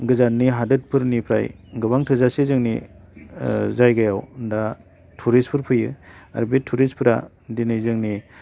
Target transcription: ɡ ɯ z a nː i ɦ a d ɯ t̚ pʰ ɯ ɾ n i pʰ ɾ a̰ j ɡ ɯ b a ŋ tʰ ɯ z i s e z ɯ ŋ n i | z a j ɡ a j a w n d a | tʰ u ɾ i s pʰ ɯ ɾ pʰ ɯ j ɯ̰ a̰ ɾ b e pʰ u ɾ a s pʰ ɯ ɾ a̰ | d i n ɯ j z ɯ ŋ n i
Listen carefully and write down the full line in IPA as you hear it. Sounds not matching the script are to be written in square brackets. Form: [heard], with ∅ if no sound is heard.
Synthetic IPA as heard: ɡ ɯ z a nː i ɦ a d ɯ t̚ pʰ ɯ ɾ n i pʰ ɾ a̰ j ɡ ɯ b a ŋ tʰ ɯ z [a] s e z ɯ ŋ n i | z a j ɡ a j a w n d a | tʰ u ɾ i s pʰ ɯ ɾ pʰ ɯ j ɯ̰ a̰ ɾ b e [tʰ] u ɾ [i] s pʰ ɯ ɾ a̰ | d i n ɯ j z ɯ ŋ n i